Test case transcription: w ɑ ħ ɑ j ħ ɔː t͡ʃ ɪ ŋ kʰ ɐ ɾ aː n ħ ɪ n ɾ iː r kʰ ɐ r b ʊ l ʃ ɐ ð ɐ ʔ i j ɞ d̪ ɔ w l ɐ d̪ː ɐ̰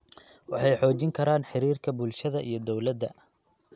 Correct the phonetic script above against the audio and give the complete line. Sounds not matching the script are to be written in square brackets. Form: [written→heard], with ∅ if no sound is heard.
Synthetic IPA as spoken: w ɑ ħ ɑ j ħ ɔː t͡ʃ ɪ ŋ kʰ ɐ ɾ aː n ħ ɪ [n→∅] ɾ iː r kʰ ɐ [r→∅] b ʊ l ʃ ɐ ð ɐ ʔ i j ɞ d̪ ɔ w l ɐ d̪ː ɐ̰